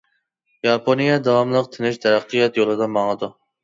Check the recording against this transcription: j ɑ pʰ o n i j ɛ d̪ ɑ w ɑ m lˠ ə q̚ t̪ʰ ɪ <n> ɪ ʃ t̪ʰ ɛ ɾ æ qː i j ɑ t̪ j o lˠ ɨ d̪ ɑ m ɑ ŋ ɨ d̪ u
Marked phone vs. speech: correct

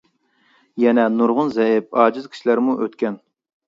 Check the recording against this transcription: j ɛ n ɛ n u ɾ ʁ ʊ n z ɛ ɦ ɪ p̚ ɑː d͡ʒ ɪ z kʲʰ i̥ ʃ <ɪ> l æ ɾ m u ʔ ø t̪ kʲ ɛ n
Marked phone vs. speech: incorrect: i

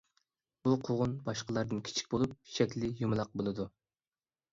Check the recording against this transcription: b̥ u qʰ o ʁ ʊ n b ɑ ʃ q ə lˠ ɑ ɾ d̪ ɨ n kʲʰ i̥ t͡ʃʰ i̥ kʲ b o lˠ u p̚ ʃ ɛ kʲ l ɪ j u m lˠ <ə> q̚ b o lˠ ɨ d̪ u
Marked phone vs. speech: incorrect: ɑ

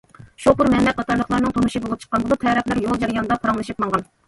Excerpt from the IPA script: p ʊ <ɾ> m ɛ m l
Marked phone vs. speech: correct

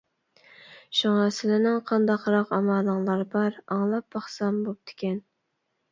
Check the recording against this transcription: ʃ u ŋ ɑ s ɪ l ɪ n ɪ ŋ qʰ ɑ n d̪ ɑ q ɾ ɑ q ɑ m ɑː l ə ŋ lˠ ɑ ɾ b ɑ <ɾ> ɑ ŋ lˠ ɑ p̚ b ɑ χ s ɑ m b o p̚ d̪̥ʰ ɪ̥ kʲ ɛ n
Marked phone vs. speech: correct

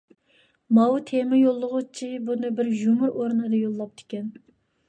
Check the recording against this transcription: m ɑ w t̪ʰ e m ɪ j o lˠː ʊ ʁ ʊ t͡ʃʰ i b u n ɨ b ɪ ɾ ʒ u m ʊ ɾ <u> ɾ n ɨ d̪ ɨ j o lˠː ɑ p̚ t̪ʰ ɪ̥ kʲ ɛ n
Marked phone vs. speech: incorrect: o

